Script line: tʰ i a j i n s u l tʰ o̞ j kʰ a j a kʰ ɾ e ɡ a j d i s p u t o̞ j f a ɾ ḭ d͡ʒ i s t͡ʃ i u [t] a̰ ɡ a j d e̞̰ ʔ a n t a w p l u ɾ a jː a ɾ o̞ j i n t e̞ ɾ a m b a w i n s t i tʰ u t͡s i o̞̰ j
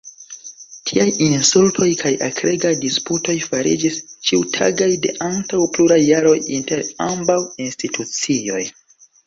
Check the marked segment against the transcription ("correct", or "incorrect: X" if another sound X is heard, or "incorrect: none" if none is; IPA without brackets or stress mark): incorrect: tʰ